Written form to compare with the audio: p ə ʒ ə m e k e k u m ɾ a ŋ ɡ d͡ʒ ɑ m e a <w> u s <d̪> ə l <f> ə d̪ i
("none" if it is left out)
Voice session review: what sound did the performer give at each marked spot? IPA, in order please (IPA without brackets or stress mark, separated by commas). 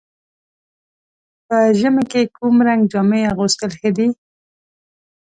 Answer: ɣ, t̪, x